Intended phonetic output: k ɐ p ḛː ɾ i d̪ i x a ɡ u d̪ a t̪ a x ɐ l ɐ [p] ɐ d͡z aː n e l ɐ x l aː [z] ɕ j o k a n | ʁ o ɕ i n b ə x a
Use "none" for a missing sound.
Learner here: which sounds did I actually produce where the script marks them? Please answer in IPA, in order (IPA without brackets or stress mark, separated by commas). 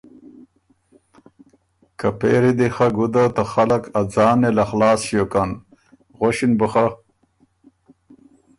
k, s